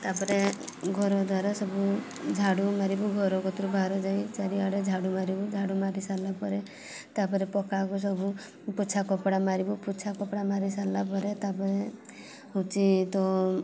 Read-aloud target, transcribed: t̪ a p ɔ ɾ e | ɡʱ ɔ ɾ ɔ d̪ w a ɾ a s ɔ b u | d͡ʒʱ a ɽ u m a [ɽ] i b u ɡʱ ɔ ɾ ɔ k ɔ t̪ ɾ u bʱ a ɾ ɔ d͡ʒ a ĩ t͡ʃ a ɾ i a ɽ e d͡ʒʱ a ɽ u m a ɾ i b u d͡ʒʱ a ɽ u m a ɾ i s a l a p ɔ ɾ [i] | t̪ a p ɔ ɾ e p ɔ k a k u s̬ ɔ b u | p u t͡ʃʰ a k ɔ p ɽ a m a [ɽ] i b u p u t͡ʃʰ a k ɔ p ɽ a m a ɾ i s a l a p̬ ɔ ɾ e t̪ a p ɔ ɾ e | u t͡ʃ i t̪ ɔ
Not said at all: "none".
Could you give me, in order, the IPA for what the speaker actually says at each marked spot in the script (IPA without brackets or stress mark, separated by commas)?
ɾ, e, ɾ